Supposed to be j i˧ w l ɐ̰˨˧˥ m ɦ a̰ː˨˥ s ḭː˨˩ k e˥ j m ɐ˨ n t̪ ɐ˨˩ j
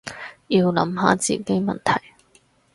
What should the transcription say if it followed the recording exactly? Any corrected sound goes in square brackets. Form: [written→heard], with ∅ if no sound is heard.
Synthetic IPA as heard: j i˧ w l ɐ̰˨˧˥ m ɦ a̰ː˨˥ [s→t͡s] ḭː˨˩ k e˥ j m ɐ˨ n [t̪→t̪ʰ] ɐ˨˩ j